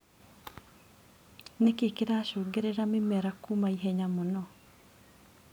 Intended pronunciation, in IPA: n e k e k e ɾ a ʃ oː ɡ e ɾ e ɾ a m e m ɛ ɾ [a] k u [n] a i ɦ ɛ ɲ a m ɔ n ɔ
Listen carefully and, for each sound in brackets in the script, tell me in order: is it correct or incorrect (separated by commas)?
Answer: correct, incorrect